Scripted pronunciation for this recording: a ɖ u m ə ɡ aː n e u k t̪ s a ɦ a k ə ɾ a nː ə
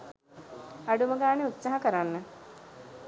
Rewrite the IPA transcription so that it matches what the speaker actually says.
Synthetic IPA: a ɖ u m ə ɡ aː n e u t̪ s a ɦ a k ə ɾ a nː ə